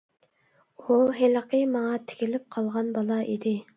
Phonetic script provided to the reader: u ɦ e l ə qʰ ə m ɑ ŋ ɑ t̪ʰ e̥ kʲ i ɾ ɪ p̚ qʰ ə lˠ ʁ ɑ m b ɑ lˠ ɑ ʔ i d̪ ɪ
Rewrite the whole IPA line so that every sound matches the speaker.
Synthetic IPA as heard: u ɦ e l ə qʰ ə m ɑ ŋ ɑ t̪ʰ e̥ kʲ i l ɪ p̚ qʰ ɑ lˠ ʁ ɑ n b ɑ lˠ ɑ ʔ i d̪ ɪ